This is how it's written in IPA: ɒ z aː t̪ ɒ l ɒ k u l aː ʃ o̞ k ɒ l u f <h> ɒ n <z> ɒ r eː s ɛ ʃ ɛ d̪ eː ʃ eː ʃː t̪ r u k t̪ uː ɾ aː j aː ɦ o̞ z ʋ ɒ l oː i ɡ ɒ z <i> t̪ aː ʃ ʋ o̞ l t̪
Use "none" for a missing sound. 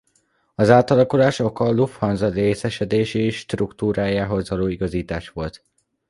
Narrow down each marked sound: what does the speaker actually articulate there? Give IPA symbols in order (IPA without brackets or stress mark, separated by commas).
h, z, iː